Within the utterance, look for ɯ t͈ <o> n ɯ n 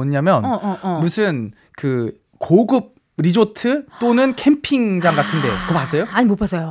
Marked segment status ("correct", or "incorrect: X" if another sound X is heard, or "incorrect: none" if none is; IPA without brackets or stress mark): correct